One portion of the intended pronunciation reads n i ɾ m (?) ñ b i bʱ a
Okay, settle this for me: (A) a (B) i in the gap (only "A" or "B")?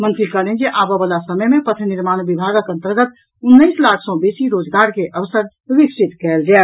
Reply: A